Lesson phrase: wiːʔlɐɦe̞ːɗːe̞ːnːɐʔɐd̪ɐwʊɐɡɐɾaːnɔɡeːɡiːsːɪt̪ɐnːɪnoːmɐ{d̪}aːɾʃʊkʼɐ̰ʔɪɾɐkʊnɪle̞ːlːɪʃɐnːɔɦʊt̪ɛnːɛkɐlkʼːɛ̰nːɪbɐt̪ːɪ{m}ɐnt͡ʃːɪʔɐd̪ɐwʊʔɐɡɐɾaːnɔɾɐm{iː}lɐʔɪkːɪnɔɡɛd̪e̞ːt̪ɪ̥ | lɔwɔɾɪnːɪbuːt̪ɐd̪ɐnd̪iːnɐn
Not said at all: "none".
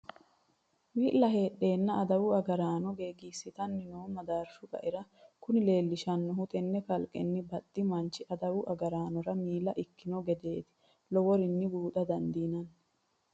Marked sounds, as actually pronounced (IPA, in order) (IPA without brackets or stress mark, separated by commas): d̪, m, iː